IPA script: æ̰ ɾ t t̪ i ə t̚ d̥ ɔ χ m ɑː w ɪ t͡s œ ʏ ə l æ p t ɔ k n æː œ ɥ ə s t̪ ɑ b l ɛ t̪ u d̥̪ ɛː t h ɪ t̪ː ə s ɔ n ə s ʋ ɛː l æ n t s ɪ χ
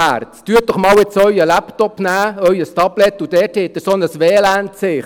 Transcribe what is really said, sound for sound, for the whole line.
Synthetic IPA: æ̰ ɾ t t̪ y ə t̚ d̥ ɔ χ m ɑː w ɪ t͡s œ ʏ ə l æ p t ɔ p n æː œ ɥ ə s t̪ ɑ b l ɛ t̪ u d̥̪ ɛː t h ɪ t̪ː ə s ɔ n ə s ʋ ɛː l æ n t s ɪ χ

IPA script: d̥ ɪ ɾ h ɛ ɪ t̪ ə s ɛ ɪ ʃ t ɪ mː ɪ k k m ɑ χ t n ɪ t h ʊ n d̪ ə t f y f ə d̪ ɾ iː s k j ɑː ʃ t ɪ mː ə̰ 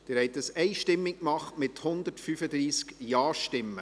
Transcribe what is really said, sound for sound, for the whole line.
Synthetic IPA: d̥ ɪ ɾ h ɛ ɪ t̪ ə s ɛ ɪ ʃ t ɪ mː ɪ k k m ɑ χ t m ɪ t h ʊ n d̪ ə t f y f ə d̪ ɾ iː s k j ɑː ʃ t ɪ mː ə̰

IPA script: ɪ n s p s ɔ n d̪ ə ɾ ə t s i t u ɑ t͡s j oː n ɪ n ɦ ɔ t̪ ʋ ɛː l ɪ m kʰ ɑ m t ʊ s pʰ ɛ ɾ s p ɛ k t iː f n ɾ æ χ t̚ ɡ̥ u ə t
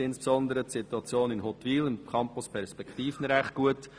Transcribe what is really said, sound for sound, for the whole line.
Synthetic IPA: ɪ n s p s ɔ n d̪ ə ɾ ə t s i t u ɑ t͡s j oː n ɪ n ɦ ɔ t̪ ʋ iː l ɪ m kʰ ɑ m p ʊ s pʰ ɛ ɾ s p ɛ k t iː f n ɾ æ χ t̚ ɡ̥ u ə t

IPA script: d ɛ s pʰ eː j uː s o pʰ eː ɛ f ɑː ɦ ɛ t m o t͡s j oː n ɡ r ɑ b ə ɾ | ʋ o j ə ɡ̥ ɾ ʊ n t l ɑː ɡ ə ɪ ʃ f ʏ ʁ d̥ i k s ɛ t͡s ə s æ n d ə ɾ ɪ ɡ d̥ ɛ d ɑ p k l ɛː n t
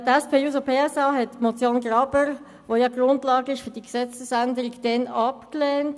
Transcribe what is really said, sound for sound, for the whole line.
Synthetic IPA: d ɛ s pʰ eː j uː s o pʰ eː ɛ s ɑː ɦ ɛ t m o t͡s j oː n ɡ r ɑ b ə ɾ | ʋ o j ɑ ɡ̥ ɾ ʊ n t l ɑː ɡ ə ɪ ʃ f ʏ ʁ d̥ i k s ɛ t͡s ə s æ n d ə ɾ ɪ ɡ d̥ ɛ n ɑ p k l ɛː n t

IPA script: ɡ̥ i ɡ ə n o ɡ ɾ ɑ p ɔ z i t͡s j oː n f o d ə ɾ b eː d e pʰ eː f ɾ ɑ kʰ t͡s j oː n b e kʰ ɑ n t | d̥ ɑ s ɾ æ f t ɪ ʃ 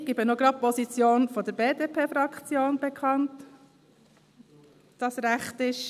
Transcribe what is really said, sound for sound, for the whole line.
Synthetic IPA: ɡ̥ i b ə n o ɡ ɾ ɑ p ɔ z i t͡s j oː n f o d ə ɾ b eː d e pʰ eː f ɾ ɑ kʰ t͡s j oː n b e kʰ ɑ n t | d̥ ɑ s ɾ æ χ t ɪ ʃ

